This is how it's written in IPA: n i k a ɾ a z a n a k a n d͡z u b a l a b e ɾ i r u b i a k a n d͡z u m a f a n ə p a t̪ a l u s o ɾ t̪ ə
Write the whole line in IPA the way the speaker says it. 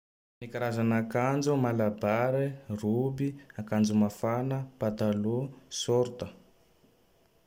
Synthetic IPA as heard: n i k a ɾ a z a n a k a n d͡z u m a l a b a ɾ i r u b i a k a n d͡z u m a f a n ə p a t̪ a l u s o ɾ t̪ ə